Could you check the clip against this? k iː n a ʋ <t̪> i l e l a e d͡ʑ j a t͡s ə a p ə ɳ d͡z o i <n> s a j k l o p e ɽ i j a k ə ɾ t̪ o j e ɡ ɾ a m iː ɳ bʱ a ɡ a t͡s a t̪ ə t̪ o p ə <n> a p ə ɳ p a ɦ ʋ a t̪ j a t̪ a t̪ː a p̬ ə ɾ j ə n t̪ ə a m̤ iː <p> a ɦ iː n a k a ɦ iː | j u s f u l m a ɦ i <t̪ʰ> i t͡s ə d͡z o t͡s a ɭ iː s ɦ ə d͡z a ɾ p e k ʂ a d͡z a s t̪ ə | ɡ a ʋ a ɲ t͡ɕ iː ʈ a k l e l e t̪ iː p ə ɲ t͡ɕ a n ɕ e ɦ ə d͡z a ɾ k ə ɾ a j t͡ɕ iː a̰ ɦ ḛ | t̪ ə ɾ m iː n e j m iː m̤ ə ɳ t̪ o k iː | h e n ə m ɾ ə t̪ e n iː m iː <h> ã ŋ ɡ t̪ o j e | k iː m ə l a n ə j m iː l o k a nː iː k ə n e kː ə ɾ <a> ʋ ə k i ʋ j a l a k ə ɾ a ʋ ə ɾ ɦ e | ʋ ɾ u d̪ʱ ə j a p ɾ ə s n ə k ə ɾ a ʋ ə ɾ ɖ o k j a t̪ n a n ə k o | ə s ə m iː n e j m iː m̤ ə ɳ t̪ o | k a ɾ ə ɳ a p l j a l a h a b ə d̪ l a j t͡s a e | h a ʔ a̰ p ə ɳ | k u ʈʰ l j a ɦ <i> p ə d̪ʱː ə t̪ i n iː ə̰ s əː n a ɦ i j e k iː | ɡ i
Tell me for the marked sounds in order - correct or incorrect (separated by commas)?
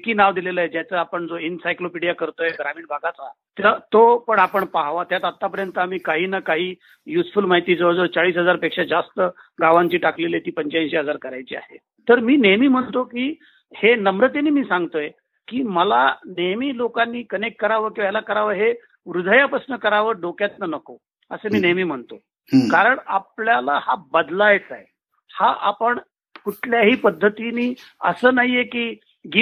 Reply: incorrect, correct, incorrect, incorrect, incorrect, incorrect, correct, incorrect